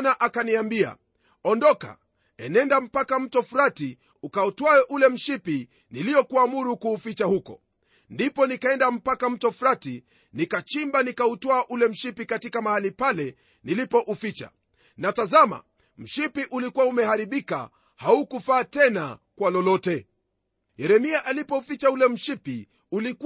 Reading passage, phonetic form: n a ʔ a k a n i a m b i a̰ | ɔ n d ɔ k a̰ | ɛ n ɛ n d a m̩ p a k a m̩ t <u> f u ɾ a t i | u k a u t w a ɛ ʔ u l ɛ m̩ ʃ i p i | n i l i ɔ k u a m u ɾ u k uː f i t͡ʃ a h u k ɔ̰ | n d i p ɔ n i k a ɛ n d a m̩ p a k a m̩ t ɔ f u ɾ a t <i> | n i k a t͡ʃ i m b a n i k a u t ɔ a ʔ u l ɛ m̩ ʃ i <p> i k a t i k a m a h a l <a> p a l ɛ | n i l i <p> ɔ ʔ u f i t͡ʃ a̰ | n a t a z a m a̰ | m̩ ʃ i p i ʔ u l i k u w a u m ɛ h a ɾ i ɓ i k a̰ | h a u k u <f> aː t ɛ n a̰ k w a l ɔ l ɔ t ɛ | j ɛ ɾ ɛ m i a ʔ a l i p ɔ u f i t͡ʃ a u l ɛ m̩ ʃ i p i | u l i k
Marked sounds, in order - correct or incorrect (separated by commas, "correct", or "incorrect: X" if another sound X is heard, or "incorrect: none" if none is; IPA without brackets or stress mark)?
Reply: incorrect: ɔ, correct, correct, incorrect: i, correct, correct